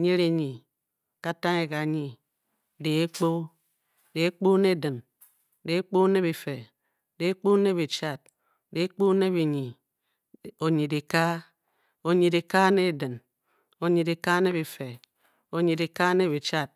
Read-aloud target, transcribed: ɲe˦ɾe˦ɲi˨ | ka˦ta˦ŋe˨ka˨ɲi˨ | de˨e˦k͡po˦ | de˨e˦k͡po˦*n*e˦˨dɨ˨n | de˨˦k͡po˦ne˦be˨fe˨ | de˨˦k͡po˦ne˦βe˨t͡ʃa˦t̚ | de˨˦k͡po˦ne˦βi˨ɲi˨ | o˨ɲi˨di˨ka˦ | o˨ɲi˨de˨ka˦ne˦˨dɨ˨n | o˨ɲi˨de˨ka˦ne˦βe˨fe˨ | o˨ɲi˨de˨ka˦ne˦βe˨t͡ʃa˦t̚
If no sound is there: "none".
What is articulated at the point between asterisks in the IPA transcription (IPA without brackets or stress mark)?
n